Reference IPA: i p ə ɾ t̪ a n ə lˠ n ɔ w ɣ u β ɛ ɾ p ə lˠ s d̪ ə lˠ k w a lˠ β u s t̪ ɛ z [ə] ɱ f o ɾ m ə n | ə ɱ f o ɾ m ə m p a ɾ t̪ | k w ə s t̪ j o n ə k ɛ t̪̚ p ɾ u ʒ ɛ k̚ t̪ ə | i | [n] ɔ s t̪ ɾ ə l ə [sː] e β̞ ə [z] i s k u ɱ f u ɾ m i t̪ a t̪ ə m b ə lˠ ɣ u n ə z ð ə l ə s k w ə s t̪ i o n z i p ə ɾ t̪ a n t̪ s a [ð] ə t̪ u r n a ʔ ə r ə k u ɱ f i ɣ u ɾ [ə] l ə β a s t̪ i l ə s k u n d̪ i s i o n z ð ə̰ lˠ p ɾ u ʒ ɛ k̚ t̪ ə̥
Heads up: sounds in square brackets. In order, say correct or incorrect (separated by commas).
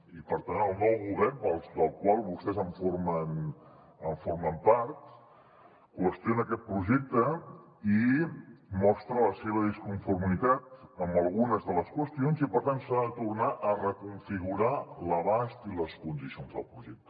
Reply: correct, incorrect, incorrect, incorrect, correct, incorrect